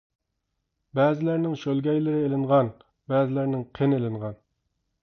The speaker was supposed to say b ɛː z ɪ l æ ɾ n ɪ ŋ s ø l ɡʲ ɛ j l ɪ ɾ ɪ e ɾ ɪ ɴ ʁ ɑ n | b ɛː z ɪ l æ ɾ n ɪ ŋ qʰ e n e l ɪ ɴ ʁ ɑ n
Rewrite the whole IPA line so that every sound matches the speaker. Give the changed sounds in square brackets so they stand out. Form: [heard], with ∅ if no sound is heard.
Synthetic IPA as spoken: b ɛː z ɪ l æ ɾ n ɪ ŋ [ʃ] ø l ɡʲ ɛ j l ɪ ɾ ɪ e [l] ɪ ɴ ʁ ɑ n | b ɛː z ɪ l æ ɾ n ɪ ŋ qʰ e n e l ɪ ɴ ʁ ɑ n

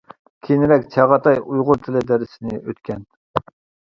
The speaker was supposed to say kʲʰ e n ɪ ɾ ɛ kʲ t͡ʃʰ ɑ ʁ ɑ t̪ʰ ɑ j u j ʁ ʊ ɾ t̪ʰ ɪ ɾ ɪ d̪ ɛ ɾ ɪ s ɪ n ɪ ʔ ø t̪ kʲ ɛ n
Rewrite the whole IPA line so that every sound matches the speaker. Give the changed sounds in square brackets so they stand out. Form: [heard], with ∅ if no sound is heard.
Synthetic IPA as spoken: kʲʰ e n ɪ ɾ ɛ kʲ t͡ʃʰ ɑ ʁ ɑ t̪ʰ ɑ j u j ʁ ʊ ɾ t̪ʰ ɪ [l] ɪ d̪ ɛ ɾ ɪ s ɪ n ɪ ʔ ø t̪ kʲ ɛ n

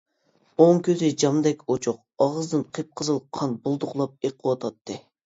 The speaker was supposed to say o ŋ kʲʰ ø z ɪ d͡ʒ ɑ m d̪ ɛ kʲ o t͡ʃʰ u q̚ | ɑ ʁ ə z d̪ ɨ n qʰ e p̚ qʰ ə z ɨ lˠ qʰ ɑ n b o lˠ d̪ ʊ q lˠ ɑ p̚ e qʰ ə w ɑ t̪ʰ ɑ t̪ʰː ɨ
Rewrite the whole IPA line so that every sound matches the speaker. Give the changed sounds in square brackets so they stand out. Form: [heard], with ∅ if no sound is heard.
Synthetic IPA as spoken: o ŋ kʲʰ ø z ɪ d͡ʒ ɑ m d̪ ɛ kʲ o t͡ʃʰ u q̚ | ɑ ʁ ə z d̪ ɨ n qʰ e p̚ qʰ ə z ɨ lˠ qʰ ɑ n b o lˠ d̪ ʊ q lˠ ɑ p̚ e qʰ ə w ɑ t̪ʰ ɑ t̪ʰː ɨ

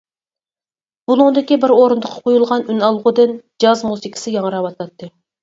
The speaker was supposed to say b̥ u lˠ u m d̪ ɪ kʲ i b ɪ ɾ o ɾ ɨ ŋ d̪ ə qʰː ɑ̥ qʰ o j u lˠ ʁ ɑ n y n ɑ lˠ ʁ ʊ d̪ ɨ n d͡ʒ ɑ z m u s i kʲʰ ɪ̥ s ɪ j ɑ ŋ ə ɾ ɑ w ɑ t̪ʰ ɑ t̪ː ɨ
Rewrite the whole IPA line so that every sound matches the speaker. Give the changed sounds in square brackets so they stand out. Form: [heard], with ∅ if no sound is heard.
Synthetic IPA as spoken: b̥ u lˠ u [ŋ] d̪ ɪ kʲ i b ɪ ɾ o ɾ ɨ [n] d̪ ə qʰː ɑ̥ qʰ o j u lˠ ʁ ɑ n y n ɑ lˠ ʁ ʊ d̪ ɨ n d͡ʒ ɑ z m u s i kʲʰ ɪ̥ s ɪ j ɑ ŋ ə ɾ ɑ w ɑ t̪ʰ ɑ t̪ː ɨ

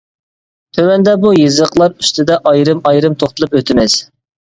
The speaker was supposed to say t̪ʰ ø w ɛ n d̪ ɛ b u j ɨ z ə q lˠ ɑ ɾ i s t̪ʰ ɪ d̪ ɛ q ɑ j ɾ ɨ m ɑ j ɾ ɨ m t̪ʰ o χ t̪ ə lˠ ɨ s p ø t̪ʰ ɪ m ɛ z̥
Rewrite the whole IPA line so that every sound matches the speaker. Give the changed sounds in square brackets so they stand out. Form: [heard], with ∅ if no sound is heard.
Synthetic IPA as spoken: t̪ʰ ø w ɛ n d̪ ɛ b u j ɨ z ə q lˠ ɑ ɾ [y] s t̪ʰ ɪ d̪ ɛ [ʔ] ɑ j ɾ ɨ m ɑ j ɾ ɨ m t̪ʰ o χ t̪ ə lˠ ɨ [∅] p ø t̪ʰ ɪ m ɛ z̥

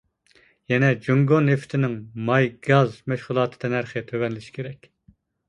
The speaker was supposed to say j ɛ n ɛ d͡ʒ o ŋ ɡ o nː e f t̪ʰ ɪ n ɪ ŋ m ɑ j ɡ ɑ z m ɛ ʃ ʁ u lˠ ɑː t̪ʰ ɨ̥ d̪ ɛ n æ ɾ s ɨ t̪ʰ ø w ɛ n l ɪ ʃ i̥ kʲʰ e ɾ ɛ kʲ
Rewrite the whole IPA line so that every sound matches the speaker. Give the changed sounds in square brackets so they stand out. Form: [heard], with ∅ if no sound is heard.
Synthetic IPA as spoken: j ɛ n ɛ d͡ʒ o ŋ ɡ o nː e f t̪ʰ ɪ n ɪ ŋ m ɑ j ɡ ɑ z m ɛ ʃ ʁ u lˠ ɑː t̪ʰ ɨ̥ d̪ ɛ n æ ɾ [χ] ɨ t̪ʰ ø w ɛ n l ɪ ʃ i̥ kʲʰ e ɾ ɛ kʲ

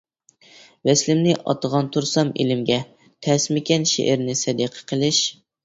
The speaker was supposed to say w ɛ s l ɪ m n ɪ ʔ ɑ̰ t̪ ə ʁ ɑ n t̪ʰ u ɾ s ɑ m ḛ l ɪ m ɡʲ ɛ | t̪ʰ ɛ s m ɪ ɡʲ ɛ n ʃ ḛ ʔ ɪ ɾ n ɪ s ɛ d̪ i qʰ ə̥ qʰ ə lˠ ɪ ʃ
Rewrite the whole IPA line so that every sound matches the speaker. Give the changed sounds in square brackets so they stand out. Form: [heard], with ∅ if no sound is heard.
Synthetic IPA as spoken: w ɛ s l ɪ m n ɪ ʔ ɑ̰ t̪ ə ʁ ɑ n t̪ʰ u ɾ s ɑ m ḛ l ɪ m ɡʲ ɛ | t̪ʰ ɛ s m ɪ [kʲ] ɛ n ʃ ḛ ʔ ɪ ɾ n ɪ s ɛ d̪ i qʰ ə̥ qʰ ə lˠ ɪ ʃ

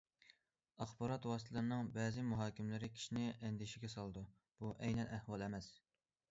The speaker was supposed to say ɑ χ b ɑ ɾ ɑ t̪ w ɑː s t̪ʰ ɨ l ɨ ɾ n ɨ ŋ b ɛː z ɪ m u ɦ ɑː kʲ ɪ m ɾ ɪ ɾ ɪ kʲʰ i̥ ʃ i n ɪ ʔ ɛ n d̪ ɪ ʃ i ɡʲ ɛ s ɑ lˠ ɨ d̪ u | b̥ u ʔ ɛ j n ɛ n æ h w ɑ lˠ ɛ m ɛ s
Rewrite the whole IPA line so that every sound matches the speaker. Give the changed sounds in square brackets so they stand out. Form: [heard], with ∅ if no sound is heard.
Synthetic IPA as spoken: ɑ χ b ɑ ɾ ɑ t̪ w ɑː s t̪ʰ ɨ l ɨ ɾ n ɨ ŋ b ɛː z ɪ m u ɦ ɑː kʲ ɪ m [l] ɪ ɾ ɪ kʲʰ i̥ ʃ i n ɪ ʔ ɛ n d̪ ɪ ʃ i ɡʲ ɛ s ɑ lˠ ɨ d̪ u | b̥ u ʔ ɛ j n ɛ n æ h w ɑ lˠ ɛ m ɛ s

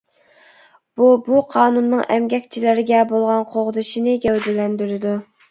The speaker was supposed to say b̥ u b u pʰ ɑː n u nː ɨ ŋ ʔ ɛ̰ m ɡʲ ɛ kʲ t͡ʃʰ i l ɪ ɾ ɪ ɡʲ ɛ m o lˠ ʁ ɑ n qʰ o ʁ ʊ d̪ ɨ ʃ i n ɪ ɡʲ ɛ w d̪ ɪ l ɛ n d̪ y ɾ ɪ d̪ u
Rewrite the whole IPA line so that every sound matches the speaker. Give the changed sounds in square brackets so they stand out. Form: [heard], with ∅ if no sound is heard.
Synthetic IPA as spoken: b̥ u b u [qʰ] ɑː n u nː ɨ ŋ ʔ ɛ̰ m ɡʲ ɛ kʲ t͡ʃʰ i l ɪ ɾ ɪ ɡʲ ɛ [b] o lˠ ʁ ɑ n qʰ o ʁ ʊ d̪ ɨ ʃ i n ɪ ɡʲ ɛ w d̪ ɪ l ɛ n d̪ y ɾ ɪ d̪ u

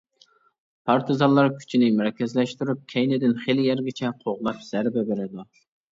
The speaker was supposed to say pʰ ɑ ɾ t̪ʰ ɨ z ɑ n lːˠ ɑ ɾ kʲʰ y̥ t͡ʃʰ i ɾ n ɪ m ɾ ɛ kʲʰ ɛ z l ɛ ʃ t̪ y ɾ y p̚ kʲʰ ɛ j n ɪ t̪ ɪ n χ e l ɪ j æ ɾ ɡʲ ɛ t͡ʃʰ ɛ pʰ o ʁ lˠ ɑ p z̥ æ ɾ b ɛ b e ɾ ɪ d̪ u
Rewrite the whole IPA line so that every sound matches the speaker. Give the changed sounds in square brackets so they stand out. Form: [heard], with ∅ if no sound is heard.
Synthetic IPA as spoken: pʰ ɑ ɾ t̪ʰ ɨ z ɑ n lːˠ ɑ ɾ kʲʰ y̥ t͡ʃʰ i [∅] n ɪ m ɾ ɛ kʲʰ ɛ z l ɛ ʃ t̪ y ɾ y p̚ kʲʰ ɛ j n ɪ [d̪] ɪ n χ e l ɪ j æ ɾ ɡʲ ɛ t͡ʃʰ ɛ [qʰ] o ʁ lˠ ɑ p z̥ æ ɾ b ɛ b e ɾ ɪ d̪ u

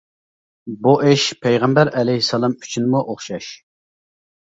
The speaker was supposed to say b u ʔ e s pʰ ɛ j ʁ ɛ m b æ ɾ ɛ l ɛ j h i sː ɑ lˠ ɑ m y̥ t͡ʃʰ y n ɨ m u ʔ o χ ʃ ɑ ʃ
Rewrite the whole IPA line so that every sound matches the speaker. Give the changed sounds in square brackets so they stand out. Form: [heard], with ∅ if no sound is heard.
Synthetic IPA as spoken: b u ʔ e [ʃ] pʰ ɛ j ʁ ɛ m b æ ɾ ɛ l ɛ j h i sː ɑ lˠ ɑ m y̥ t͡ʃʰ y n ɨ m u ʔ o χ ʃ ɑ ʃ

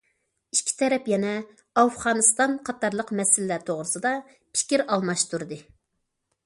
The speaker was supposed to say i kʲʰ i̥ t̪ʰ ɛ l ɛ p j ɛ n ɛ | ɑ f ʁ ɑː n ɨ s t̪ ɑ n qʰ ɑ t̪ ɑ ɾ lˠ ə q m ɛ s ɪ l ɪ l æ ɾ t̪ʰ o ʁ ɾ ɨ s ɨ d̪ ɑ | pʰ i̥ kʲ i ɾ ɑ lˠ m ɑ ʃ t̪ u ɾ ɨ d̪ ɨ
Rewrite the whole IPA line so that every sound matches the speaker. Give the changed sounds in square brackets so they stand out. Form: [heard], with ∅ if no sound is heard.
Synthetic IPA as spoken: i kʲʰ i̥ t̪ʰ ɛ [ɾ] ɛ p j ɛ n ɛ | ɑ f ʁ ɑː n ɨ s t̪ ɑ n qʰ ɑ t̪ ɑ ɾ lˠ ə q m ɛ s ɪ l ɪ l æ ɾ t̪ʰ o ʁ ɾ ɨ s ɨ d̪ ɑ | pʰ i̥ kʲ i ɾ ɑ lˠ m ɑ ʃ t̪ u ɾ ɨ d̪ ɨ

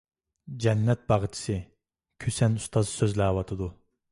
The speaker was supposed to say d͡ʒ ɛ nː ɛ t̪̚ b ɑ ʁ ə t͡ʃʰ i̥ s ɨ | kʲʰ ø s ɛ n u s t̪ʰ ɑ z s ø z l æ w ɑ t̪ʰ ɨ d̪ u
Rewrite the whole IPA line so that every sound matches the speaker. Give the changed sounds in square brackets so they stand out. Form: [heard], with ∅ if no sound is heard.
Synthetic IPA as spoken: d͡ʒ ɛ nː ɛ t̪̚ b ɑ ʁ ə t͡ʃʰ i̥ s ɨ | kʲʰ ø s ɛ n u s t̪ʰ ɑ z s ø z l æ w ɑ t̪ʰ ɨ d̪ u

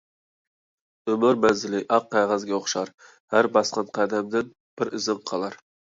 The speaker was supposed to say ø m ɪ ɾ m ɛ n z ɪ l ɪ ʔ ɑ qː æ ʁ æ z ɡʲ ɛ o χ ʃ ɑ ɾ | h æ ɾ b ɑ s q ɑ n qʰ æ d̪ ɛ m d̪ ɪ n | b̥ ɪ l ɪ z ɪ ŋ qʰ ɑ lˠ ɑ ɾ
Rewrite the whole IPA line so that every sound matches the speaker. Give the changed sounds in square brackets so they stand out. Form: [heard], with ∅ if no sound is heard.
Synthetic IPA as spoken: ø m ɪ ɾ m ɛ n z ɪ l ɪ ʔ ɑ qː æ ʁ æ z ɡʲ ɛ o χ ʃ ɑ ɾ | h æ ɾ b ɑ s q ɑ n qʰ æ d̪ ɛ m d̪ ɪ n | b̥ ɪ [ɾ] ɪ z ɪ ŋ qʰ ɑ lˠ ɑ ɾ

